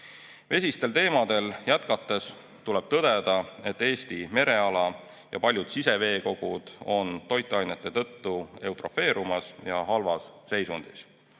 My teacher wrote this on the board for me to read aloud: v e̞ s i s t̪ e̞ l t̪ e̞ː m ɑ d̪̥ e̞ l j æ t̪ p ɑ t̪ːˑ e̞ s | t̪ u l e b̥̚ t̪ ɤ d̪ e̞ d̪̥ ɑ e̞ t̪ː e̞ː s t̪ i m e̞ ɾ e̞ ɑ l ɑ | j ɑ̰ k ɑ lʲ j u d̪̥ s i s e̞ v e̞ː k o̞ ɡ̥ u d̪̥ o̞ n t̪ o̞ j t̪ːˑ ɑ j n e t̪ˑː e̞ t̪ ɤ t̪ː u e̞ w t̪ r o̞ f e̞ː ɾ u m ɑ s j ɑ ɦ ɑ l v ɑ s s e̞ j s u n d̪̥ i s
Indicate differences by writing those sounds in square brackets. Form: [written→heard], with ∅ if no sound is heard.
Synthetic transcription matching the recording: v e̞ s i s t̪ e̞ l t̪ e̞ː m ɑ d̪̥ e̞ l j æ t̪ [p→k] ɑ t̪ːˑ e̞ s | t̪ u l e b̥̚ t̪ ɤ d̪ e̞ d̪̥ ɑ e̞ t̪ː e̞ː s t̪ i m e̞ ɾ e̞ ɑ l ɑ | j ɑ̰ [k→p] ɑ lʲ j u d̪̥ s i s e̞ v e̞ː k o̞ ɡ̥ u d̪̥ o̞ n t̪ o̞ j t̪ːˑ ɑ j n e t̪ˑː e̞ t̪ ɤ t̪ː u e̞ w t̪ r o̞ f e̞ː ɾ u m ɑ s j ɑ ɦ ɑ l v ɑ s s e̞ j s u n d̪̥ i s